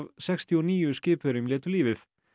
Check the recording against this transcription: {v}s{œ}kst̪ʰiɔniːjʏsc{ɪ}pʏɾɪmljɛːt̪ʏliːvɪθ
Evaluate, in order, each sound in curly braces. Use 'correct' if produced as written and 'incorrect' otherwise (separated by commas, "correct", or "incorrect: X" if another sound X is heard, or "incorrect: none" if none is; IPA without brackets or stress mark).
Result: correct, incorrect: ɛ, incorrect: ɪː